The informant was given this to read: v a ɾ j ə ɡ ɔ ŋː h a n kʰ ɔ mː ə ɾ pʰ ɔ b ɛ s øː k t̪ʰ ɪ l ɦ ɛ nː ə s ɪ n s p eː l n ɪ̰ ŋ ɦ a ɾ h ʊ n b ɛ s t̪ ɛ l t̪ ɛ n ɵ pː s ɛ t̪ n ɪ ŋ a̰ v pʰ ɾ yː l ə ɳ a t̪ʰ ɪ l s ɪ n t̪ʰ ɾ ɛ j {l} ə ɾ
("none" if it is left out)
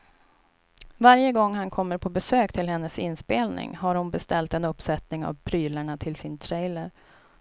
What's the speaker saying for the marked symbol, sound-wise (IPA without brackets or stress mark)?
l